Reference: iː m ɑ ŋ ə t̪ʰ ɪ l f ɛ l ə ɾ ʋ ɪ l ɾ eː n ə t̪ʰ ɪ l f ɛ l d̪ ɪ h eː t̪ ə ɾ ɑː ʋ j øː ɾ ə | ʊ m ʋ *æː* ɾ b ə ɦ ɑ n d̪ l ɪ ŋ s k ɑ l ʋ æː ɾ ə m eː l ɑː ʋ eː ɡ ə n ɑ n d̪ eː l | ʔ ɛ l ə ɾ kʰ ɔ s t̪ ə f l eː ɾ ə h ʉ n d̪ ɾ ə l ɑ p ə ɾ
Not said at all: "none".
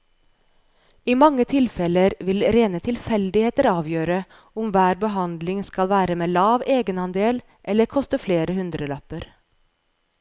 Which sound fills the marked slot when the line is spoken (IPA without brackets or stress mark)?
æː